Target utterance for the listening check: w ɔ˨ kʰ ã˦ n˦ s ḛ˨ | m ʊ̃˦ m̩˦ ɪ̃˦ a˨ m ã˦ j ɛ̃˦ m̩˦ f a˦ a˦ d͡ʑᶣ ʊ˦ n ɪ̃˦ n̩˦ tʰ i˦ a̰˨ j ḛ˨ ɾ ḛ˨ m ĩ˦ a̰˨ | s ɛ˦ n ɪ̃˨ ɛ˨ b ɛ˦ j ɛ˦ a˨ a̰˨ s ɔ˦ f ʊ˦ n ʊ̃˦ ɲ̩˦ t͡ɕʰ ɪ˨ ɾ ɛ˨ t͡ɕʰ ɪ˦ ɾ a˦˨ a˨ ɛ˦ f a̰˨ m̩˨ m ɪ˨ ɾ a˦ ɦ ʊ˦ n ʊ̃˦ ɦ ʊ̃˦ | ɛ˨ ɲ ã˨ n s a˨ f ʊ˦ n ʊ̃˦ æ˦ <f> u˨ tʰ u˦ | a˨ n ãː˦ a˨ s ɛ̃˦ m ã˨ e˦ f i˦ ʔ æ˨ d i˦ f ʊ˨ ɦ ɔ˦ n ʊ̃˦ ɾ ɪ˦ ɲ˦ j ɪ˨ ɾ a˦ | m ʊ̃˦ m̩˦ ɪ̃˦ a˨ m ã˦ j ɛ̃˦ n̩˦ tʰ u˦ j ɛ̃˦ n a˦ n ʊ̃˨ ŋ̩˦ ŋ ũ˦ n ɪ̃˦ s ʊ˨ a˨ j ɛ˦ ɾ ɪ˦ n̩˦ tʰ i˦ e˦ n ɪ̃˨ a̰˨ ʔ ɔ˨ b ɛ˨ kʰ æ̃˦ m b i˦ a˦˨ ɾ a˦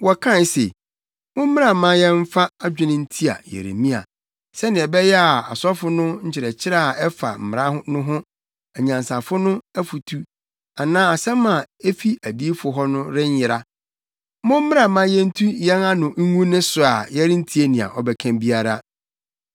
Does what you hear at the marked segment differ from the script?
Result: no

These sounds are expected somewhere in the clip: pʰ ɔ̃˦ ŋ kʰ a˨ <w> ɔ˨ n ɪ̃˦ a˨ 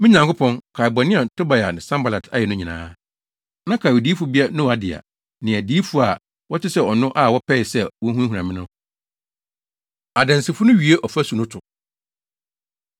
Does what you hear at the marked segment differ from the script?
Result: yes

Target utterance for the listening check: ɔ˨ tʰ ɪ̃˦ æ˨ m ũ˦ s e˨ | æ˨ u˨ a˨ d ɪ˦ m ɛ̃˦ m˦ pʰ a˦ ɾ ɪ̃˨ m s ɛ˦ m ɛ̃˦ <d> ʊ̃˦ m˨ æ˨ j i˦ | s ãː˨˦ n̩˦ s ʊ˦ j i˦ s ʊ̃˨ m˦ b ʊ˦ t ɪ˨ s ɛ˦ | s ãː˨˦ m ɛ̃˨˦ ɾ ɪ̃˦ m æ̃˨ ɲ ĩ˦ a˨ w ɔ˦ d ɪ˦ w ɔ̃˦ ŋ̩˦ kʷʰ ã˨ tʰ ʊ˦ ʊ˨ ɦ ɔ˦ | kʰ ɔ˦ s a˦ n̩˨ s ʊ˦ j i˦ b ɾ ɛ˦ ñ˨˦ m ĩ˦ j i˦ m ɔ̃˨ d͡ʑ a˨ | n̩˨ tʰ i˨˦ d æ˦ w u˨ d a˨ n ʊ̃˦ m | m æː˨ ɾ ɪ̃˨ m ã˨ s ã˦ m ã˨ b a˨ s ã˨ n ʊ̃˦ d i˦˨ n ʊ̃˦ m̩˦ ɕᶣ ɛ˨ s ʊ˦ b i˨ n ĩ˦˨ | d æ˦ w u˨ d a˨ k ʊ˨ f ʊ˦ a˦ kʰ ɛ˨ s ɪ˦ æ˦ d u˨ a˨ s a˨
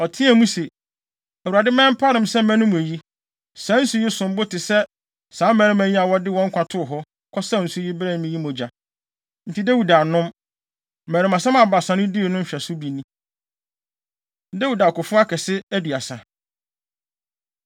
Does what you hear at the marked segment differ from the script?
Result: yes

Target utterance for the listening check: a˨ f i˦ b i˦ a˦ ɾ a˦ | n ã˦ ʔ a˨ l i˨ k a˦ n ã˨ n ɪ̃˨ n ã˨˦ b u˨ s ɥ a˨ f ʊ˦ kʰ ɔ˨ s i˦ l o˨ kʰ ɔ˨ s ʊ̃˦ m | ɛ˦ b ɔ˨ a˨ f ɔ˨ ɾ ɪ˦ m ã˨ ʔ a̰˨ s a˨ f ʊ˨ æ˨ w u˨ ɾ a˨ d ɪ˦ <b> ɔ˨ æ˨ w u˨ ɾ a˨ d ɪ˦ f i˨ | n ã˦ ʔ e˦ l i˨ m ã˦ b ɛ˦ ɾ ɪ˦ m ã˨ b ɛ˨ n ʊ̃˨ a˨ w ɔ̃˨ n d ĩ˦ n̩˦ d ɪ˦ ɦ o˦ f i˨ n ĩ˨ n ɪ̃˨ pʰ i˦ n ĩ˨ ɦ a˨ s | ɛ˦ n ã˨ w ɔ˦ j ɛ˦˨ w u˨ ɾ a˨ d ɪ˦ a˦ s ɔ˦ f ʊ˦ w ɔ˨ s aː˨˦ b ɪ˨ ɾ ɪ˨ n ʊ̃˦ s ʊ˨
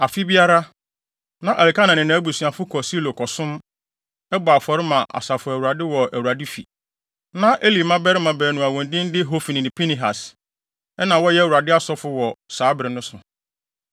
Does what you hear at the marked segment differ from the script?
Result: yes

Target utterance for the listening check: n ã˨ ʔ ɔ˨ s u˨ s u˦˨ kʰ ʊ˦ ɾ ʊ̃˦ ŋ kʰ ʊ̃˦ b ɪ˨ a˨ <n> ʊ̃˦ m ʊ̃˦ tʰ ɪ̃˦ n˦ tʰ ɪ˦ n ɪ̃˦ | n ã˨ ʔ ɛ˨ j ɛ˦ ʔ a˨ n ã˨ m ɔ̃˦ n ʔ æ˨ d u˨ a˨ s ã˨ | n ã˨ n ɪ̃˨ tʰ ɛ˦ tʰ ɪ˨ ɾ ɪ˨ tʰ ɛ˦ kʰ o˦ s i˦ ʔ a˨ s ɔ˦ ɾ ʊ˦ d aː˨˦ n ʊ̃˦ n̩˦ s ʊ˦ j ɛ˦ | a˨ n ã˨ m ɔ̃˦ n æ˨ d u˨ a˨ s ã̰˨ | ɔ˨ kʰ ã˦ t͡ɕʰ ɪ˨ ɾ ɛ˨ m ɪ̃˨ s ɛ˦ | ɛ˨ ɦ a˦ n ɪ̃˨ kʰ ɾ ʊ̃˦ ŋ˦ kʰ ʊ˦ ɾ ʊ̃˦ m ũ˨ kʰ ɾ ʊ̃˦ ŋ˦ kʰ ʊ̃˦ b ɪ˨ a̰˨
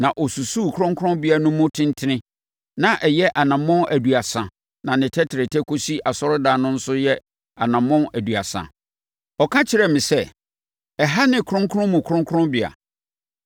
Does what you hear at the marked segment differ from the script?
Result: no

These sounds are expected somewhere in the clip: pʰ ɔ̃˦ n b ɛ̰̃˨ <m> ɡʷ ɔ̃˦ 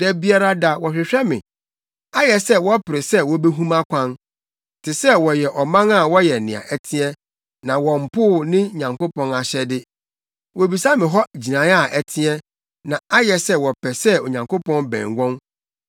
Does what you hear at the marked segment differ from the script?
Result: yes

